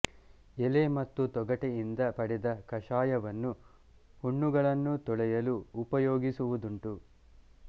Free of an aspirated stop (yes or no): yes